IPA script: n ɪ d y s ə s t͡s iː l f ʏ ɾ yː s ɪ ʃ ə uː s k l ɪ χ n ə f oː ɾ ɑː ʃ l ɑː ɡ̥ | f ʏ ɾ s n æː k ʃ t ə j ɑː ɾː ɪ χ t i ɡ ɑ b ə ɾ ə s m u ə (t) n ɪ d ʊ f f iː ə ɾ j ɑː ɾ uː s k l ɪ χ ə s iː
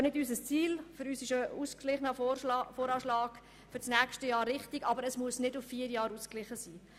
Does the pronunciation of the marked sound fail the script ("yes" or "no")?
yes